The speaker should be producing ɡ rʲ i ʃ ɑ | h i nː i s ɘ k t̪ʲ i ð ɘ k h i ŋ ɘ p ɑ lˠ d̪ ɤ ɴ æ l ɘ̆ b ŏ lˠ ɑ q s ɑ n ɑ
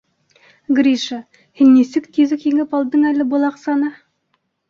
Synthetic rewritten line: ɡ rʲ i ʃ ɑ | h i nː i s ɘ k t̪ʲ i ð ɘ k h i ŋ ɘ p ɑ lˠ d̪ ɤ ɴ æ l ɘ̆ b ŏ lˠ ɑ q s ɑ n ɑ